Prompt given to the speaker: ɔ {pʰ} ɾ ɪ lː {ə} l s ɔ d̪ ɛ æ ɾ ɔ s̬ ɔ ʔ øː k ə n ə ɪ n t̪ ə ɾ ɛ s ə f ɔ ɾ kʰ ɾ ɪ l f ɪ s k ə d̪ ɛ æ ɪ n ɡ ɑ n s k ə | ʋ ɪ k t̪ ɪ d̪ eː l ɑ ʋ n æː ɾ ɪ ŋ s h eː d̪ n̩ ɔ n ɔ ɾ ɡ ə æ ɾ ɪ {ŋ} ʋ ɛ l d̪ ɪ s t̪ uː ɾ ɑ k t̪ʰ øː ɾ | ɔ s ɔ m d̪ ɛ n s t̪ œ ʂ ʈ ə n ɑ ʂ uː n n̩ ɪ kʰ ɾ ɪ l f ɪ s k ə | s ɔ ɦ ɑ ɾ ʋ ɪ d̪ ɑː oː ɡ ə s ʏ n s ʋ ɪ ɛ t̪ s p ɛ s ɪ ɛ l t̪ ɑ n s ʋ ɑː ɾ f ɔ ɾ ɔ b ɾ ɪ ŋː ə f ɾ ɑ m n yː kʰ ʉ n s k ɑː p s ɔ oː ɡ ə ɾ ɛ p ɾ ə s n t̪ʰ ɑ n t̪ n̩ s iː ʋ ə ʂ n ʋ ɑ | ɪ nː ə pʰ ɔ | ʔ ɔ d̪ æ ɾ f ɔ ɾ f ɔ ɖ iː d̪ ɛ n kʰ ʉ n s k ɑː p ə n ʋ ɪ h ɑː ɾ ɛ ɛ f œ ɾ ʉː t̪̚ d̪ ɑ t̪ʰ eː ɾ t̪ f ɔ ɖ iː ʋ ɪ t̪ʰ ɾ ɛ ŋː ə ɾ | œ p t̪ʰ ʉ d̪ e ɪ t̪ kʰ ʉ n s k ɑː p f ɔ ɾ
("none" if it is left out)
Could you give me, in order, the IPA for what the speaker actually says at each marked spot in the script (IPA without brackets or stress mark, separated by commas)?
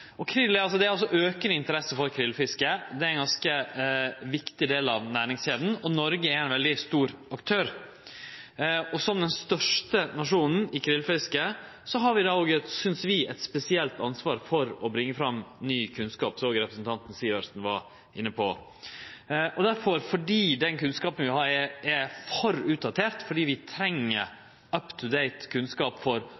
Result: kʰ, ɑ, n